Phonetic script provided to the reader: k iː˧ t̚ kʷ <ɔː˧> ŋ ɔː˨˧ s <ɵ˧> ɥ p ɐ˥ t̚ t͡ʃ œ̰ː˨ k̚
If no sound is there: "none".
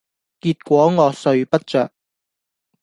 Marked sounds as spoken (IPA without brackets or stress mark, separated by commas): ɔː˨˥, ɵ˧